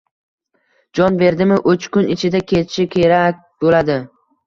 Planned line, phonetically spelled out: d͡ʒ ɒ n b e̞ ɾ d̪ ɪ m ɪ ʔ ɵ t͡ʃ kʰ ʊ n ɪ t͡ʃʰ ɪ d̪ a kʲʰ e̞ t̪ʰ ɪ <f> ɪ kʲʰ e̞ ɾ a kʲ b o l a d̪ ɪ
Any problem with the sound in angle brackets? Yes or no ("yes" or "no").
yes